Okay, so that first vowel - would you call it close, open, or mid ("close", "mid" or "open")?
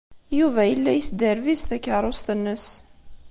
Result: close